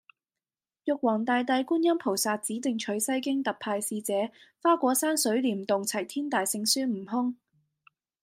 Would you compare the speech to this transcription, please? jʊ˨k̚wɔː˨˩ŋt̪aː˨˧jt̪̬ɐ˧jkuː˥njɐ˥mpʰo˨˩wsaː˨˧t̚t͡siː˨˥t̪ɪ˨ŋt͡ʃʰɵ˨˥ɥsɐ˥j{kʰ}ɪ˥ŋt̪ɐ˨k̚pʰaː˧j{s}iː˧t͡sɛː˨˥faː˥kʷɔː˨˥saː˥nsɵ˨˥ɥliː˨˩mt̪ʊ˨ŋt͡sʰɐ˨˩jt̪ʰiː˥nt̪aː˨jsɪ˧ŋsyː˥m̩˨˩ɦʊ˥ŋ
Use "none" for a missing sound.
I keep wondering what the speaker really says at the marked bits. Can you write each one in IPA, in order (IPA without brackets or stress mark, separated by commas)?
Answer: k, s